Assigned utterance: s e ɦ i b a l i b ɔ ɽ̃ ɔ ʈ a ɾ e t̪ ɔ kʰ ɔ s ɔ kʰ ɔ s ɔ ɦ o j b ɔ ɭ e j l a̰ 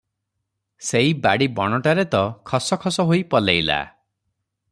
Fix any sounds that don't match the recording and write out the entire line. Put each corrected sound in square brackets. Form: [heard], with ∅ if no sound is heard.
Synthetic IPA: s e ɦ i b a [ɽ] i b ɔ ɽ̃ ɔ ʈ a ɾ e t̪ ɔ kʰ ɔ s ɔ kʰ ɔ s ɔ ɦ o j [p] ɔ [l] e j l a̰